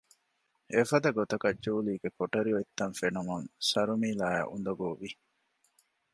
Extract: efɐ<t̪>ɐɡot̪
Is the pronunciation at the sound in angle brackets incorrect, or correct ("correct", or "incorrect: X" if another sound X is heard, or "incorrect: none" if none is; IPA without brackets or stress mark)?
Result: incorrect: d̪